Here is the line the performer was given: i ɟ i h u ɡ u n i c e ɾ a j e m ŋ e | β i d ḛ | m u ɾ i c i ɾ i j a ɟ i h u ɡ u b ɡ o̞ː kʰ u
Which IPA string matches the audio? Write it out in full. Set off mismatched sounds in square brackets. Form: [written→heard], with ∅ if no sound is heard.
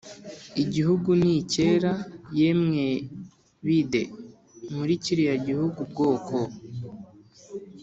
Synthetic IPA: i ɟ i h u ɡ u n i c e ɾ a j e m ŋ e | β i d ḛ | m u ɾ i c i ɾ i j a ɟ i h u ɡ u b ɡ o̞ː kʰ [u→o]

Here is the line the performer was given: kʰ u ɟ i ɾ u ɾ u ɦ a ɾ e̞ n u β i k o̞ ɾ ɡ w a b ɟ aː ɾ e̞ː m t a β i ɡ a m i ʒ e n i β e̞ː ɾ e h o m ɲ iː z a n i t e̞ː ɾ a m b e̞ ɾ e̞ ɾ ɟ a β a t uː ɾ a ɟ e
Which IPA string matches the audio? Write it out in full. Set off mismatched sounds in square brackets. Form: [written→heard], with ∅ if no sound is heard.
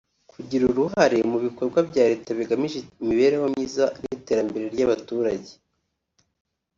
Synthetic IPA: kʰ u ɟ i ɾ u ɾ u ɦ a ɾ e̞ [n→m] u β i k o̞ ɾ ɡ w a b ɟ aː ɾ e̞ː [m→∅] t a β i ɡ a m i ʒ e [n→m] i β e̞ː ɾ e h o m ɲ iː z a n i t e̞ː ɾ a m b e̞ ɾ e̞ ɾ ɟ a β a t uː ɾ a ɟ e

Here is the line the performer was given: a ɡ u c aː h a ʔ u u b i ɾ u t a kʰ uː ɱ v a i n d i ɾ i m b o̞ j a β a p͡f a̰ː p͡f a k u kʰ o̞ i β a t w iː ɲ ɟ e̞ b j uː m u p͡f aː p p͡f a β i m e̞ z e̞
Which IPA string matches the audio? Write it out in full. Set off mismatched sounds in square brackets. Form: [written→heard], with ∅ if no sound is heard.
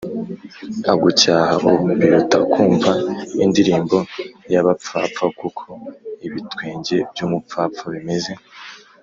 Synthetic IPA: a ɡ u c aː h a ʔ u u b i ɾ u t a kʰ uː ɱ v a i n d i ɾ [i→iː] m b o̞ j a β a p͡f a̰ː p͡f a k u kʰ o̞ i β [a→i] t w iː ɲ ɟ e̞ b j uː m u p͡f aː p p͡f a β i m e̞ z e̞

